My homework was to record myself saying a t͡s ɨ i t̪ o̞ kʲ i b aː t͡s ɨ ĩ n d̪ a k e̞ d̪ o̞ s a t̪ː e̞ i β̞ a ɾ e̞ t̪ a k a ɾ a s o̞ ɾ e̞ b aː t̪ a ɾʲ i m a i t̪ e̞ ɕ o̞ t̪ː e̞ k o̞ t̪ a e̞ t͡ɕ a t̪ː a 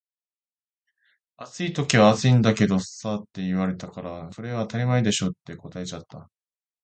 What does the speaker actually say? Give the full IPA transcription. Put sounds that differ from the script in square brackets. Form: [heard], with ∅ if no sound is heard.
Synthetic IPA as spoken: a t͡s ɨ i t̪ o̞ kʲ i [β] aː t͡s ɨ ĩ n d̪ a k e̞ d̪ o̞ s a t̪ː e̞ i β̞ a ɾ e̞ t̪ a k a ɾ a s o̞ ɾ e̞ [β] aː t̪ a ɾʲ i m a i [d̪] e̞ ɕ o̞ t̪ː e̞ k o̞ t̪ a e̞ t͡ɕ a t̪ː a